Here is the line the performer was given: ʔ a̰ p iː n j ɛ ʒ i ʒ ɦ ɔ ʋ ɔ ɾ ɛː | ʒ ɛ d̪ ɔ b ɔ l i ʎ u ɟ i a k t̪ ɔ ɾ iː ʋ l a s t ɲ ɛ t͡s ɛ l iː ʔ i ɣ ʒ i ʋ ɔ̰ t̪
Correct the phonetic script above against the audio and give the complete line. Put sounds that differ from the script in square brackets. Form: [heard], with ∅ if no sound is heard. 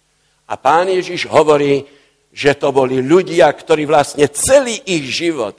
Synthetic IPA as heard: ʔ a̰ p [aː] n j ɛ ʒ i ʒ ɦ ɔ ʋ ɔ ɾ [iː] | ʒ ɛ [t̪] ɔ b ɔ l i ʎ u ɟ [ɪ] a k t̪ ɔ ɾ iː ʋ l a s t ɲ ɛ t͡s ɛ l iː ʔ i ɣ ʒ i ʋ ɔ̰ t̪